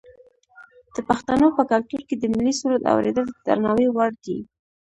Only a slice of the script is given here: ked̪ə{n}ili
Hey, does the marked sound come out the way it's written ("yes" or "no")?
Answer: no